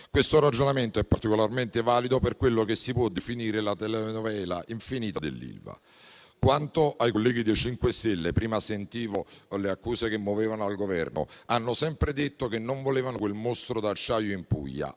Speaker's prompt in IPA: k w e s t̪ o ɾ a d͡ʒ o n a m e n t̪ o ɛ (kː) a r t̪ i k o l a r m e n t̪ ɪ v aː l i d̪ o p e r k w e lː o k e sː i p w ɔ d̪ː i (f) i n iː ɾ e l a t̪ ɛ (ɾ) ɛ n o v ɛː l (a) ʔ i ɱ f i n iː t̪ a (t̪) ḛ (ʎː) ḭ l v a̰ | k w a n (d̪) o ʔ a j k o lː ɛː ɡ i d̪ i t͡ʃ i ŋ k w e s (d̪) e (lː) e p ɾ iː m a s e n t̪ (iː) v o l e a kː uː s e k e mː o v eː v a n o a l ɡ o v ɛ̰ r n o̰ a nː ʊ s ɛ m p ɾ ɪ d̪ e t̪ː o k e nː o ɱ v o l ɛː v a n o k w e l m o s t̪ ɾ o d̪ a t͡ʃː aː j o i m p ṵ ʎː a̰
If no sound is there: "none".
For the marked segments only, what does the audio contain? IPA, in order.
pː, f, l, a, d̪, lː, t̪, t̪, lː, iː

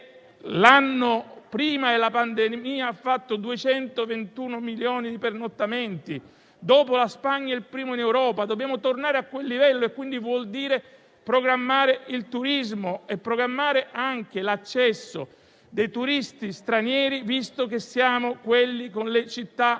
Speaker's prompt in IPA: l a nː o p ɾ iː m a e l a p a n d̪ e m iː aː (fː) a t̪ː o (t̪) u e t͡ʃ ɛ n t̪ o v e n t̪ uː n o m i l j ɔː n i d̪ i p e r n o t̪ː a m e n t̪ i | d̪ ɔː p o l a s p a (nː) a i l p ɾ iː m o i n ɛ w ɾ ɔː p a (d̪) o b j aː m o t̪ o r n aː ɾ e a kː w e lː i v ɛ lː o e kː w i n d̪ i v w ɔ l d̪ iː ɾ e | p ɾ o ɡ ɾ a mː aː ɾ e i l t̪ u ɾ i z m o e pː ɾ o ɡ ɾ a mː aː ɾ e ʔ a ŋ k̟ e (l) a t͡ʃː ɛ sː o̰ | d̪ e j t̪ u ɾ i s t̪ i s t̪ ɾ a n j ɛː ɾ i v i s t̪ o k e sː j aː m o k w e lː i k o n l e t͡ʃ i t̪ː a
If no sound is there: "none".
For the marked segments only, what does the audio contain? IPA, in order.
fː, d̪, ɲː, d̪, l

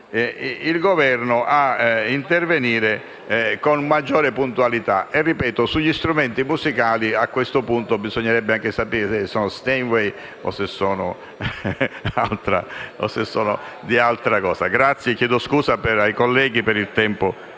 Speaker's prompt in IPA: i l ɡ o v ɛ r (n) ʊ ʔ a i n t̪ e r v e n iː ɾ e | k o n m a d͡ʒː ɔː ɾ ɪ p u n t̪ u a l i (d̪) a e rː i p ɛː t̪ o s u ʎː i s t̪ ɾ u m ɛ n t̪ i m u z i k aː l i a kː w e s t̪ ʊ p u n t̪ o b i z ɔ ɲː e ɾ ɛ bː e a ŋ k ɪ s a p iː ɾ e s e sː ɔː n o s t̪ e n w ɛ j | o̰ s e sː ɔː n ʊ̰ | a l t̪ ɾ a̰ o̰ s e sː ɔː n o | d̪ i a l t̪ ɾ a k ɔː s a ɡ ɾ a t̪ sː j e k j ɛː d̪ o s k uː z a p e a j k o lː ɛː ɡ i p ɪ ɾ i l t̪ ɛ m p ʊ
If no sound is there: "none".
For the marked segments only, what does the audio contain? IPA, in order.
n, t̪

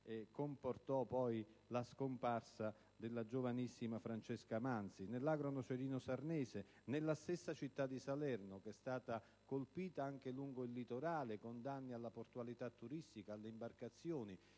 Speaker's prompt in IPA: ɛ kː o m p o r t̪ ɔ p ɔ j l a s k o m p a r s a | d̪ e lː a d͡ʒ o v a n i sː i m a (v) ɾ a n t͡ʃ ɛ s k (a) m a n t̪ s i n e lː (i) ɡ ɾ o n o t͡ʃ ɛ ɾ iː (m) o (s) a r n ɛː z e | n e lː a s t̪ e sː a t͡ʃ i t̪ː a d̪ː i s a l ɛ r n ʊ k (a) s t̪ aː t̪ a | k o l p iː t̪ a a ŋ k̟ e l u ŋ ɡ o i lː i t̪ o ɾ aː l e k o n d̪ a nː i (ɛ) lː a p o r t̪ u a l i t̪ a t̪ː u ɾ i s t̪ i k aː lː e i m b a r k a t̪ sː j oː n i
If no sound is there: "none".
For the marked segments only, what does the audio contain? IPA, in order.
f, a, a, n, s, ɛ, a

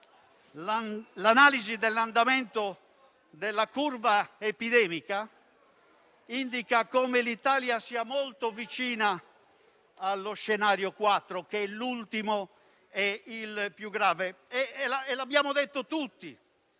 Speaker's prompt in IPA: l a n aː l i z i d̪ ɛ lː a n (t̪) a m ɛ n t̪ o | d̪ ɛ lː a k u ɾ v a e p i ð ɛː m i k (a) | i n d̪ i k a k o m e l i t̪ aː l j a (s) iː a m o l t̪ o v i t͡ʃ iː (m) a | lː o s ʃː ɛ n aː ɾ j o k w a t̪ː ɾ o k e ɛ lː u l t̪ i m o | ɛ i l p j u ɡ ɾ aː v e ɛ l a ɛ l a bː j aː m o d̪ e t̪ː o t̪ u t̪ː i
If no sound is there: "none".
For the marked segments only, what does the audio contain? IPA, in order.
d̪, a, s, n

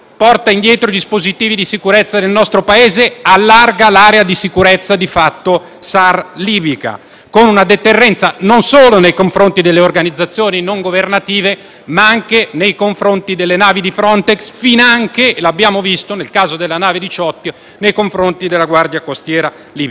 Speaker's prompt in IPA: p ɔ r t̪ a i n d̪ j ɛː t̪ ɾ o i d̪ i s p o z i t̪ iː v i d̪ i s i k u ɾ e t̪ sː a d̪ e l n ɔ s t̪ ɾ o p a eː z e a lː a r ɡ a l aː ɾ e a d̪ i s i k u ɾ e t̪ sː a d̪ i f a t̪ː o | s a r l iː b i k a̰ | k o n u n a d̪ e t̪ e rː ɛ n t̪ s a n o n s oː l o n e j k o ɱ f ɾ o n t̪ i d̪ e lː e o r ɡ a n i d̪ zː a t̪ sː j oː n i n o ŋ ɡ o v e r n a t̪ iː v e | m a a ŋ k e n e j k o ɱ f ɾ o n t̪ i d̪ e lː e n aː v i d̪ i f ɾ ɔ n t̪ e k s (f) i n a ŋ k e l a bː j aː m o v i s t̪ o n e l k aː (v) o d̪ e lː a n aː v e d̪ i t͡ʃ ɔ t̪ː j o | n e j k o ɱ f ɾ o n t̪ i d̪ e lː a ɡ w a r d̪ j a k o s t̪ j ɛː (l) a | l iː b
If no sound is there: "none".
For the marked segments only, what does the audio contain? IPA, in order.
f, z, ɾ

